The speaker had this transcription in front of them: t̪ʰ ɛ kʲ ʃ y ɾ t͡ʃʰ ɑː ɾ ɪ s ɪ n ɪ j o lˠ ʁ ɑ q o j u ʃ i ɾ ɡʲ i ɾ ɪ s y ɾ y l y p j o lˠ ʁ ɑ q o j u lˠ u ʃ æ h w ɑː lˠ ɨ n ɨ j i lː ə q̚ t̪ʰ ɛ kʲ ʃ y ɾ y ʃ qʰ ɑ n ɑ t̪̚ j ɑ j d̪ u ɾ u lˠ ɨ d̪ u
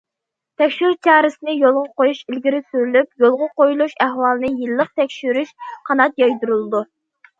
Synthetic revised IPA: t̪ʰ ɛ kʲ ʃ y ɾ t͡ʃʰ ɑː ɾ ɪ s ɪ n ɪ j o lˠ ʁ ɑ q o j u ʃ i l ɡʲ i ɾ ɪ s y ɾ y l y p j o lˠ ʁ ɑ q o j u lˠ u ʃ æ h w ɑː lˠ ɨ n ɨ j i lː ə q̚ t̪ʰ ɛ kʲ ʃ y ɾ y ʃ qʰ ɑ n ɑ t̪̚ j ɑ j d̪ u ɾ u lˠ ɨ d̪ u